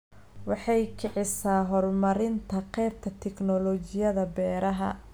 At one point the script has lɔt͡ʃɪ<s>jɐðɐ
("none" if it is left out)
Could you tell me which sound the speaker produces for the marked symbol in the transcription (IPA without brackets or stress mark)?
none